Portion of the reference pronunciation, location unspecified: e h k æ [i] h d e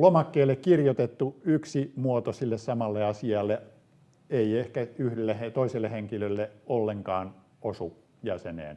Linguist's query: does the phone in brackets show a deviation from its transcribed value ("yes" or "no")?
yes